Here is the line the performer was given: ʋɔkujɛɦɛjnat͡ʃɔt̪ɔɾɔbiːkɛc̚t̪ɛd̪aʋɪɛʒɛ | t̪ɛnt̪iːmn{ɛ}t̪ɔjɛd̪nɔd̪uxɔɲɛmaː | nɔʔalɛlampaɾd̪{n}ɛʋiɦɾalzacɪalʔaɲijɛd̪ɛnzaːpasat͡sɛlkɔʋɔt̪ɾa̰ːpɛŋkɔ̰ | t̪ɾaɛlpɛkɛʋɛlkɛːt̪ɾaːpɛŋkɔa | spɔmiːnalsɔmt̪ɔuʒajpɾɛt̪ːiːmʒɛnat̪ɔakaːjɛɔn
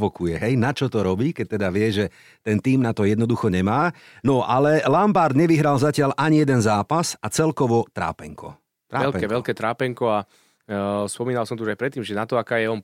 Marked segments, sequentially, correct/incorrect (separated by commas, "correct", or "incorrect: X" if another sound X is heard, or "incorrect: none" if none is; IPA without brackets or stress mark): incorrect: a, incorrect: ɲ